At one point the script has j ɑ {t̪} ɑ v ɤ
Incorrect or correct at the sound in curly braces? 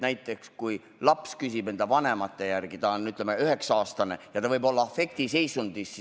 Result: correct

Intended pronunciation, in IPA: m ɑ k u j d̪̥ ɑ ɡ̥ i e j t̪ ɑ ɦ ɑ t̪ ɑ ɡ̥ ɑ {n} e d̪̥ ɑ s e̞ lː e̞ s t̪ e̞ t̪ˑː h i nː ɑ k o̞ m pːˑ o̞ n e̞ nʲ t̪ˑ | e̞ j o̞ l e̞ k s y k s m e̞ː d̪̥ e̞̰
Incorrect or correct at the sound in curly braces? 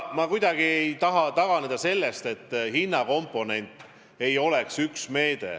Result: correct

